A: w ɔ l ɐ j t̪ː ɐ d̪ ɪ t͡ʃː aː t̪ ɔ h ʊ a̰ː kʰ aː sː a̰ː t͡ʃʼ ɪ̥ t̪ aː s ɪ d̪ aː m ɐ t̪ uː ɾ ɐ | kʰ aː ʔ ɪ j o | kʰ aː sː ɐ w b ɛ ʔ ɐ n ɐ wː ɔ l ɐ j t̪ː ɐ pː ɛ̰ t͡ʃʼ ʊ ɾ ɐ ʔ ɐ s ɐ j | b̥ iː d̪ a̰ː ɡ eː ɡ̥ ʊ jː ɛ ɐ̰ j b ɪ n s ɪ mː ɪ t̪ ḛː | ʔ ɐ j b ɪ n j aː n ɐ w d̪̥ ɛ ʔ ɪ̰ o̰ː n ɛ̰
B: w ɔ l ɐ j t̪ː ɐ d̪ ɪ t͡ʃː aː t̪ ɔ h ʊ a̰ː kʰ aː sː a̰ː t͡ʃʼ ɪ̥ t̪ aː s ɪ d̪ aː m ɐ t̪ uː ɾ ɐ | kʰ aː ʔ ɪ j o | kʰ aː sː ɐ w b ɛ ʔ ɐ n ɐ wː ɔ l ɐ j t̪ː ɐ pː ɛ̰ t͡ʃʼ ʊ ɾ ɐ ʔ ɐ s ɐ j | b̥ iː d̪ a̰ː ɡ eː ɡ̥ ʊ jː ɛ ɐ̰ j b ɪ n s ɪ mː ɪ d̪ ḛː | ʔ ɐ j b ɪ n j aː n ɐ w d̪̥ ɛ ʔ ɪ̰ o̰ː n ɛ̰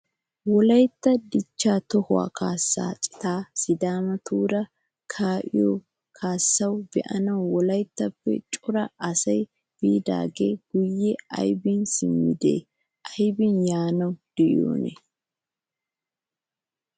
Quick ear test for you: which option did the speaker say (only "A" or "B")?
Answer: B